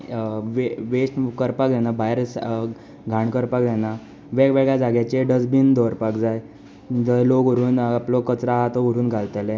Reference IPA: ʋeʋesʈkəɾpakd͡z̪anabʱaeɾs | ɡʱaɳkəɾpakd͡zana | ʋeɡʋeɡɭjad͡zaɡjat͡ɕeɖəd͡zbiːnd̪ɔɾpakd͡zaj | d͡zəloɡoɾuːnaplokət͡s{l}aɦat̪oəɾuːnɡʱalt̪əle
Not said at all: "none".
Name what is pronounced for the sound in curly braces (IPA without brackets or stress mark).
ɾ